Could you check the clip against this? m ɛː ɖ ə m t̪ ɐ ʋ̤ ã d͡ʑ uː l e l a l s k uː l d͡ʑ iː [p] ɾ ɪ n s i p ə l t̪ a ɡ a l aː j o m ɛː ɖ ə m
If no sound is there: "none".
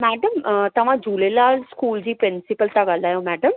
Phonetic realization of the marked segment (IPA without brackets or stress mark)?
p